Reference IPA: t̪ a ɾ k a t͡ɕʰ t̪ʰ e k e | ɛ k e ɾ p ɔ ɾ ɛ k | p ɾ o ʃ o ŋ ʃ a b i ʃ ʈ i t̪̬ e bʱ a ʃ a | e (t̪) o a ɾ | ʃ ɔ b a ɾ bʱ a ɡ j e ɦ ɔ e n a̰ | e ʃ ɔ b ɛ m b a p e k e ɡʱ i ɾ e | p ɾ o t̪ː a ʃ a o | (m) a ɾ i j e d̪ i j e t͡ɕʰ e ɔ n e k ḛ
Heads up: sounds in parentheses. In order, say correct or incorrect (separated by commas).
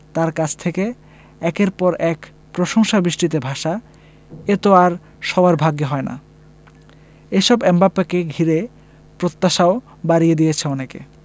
correct, incorrect